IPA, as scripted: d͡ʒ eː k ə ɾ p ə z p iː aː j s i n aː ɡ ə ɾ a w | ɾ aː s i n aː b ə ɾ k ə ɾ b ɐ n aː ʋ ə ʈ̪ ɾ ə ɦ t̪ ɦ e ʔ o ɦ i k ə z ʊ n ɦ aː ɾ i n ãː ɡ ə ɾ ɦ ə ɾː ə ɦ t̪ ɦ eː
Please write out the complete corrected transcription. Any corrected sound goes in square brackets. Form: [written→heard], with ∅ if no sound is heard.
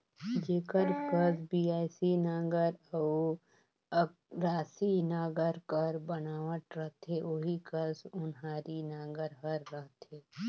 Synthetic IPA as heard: d͡ʒ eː k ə ɾ [p→k] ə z [p→b] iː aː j s i n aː ɡ ə ɾ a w | ɾ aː s i n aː [b→ɡ] ə ɾ k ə ɾ b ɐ n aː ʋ ə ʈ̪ ɾ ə ɦ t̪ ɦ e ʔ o ɦ i k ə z ʊ n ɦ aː ɾ i n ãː ɡ ə ɾ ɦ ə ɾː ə ɦ t̪ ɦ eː